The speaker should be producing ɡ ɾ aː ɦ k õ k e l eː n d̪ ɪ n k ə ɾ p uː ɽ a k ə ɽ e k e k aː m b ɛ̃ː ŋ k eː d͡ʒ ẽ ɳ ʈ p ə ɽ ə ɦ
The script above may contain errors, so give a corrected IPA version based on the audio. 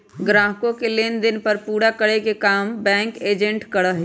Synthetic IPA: ɡ ɾ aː ɦ k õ k e l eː n d̪ ɪ n p ə ɾ p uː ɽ a k ə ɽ e k e k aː m b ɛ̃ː ŋ k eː d͡ʒ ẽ ɳ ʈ k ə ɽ ə ɦ

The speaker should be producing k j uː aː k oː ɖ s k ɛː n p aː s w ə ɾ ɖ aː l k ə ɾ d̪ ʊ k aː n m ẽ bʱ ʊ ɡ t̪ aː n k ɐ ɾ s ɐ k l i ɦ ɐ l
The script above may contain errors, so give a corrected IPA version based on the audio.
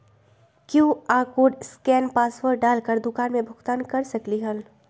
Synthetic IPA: k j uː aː k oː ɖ s k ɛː n p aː s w ə ɾ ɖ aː l k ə ɾ d̪ ʊ k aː n m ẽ bʱ ʊ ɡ t̪ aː n k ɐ ɾ s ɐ k l i ɦ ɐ l

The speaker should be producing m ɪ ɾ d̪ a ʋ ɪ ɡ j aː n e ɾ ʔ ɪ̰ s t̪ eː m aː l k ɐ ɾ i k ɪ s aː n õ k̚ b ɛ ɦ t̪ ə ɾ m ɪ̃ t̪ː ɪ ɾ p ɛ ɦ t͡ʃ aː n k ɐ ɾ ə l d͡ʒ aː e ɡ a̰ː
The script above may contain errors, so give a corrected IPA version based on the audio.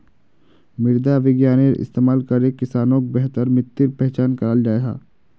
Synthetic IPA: m ɪ ɾ d̪ a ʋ ɪ ɡ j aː n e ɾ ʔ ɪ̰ s t̪ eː m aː l k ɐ ɾ e k ɪ s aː n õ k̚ b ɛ ɦ t̪ ə ɾ m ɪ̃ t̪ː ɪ ɾ p ɛ ɦ t͡ʃ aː n k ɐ ɾ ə l d͡ʒ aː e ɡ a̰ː

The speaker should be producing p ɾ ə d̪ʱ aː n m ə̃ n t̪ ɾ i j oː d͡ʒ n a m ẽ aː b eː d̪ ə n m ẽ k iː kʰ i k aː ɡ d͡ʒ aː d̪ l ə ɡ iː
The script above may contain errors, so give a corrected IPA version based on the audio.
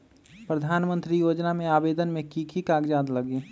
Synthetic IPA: p ɾ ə d̪ʱ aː n m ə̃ n t̪ ɾ i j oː d͡ʒ n a m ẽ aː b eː d̪ ə n m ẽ k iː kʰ i k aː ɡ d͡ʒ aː d̪ l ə ɡ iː

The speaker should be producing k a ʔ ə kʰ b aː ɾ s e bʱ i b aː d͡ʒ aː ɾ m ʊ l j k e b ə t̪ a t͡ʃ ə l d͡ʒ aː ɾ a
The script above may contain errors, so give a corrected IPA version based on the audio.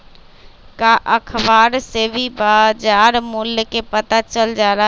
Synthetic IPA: k a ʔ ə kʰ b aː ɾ s e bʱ i b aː d͡ʒ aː ɾ m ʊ l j k e p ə t̪ a t͡ʃ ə l d͡ʒ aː ɾ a

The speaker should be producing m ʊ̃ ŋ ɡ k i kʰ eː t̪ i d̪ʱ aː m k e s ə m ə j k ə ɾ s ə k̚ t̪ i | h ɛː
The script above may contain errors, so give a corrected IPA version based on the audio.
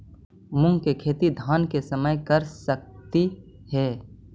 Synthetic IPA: m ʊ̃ ŋ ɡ k e kʰ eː t̪ i d̪ʱ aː n k e s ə m ə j k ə ɾ s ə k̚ t̪ i | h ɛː

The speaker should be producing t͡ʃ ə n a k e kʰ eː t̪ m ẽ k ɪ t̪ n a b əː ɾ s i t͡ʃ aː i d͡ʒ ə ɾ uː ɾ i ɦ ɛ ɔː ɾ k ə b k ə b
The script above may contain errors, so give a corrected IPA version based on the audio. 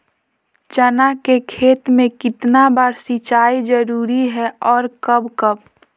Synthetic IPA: t͡ʃ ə n a k e kʰ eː t̪ m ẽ k ɪ t̪ n a b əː ɾ s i t͡ʃ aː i d͡ʒ ə ɾ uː ɾ i ɦ ɛ ɔː ɾ k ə b k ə b

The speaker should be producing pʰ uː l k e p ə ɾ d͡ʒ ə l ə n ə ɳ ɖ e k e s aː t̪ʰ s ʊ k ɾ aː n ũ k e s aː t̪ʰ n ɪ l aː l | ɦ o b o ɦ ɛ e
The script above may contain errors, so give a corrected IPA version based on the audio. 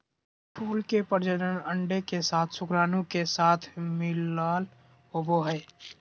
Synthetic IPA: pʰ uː l k e p ə ɾ d͡ʒ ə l ə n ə ɳ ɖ e k e s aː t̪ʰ s ʊ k ɾ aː n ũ k e s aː t̪ʰ m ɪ l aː l | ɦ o b o ɦ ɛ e

